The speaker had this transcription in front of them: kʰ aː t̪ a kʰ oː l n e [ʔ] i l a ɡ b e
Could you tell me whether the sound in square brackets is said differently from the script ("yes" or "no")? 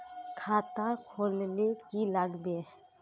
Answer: yes